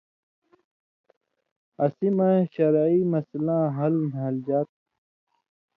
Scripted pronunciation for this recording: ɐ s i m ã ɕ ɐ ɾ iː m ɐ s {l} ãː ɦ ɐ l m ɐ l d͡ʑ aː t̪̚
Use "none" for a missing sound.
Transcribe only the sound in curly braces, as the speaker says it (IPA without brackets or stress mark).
l